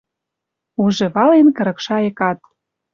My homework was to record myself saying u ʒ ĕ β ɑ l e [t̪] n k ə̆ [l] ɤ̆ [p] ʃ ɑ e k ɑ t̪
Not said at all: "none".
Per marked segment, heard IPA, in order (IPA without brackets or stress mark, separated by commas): none, ɾ, k